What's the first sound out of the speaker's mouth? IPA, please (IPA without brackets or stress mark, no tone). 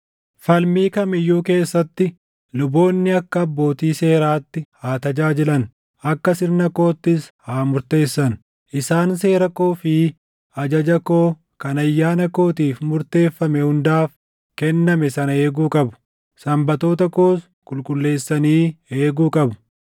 f